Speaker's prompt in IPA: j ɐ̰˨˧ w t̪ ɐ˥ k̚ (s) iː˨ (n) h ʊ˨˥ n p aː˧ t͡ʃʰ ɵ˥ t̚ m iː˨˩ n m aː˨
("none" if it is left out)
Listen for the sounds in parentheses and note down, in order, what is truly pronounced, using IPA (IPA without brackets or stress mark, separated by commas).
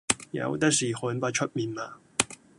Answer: s, none